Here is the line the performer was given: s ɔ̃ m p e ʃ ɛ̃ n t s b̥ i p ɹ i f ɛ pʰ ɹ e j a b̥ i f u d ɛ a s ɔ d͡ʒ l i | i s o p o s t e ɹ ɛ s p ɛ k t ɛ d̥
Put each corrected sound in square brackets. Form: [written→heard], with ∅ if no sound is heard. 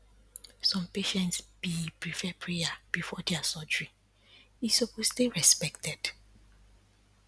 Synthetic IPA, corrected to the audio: s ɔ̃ m p e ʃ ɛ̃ n t s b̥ i p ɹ i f ɛ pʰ ɹ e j a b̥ i f [u→ɔ] d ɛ a s ɔ d͡ʒ [l→ɹ] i | i s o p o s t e ɹ ɛ s p ɛ k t ɛ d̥